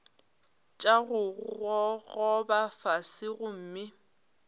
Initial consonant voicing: voiceless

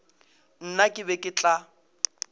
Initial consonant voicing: voiced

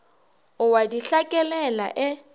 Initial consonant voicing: voiced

